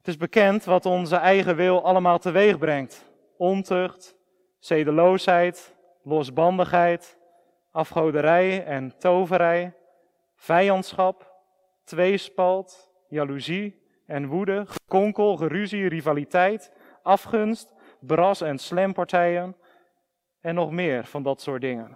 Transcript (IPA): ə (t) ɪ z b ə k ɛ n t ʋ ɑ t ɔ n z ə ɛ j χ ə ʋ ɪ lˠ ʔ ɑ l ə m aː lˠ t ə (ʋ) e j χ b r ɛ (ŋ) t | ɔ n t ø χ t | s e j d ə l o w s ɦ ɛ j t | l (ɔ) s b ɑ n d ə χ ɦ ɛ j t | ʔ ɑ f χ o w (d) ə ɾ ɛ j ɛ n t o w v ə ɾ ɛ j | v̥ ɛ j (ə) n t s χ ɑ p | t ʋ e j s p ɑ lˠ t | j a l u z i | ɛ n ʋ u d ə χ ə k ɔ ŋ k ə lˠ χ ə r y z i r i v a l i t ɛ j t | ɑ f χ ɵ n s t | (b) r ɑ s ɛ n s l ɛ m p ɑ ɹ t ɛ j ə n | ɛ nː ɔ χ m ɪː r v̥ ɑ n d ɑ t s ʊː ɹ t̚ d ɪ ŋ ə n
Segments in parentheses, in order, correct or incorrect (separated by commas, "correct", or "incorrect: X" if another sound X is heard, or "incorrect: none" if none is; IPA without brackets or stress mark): correct, correct, correct, correct, correct, incorrect: ɑ, correct